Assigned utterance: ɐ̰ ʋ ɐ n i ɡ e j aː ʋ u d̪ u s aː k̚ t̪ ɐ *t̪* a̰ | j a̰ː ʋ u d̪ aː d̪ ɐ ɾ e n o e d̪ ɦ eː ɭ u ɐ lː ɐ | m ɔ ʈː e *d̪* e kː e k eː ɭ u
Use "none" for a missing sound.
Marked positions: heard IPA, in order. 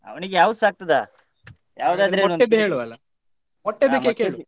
d̪, d̪

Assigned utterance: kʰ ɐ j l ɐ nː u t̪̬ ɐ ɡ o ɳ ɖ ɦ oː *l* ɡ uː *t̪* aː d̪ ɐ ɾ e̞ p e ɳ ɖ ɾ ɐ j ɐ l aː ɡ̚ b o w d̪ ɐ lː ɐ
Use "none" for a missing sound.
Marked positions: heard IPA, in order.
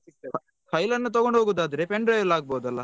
none, d̪

